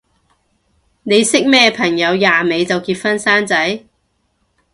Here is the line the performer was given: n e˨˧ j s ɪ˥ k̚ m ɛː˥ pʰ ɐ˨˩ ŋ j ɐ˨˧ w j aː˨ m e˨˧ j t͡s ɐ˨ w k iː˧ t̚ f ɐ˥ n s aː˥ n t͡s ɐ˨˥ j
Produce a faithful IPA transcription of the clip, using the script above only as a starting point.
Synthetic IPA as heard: n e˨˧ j s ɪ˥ k̚ m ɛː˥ pʰ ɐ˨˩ ŋ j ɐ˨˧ w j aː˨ m e˨˧ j t͡s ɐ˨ w k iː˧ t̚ f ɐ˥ n s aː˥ n t͡s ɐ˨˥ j